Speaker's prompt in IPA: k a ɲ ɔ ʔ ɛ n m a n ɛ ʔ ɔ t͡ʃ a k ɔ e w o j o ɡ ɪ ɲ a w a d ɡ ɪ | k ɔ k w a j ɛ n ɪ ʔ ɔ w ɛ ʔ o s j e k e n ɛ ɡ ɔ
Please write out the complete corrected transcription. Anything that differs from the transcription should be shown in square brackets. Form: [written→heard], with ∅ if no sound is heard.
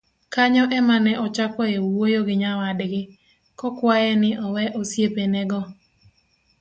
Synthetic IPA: k a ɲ ɔ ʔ ɛ [n→∅] m a n ɛ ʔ ɔ t͡ʃ a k ɔ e w o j o ɡ ɪ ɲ a w a d ɡ ɪ | k ɔ k w a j ɛ n ɪ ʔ ɔ w ɛ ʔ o s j e [k→p] e n ɛ ɡ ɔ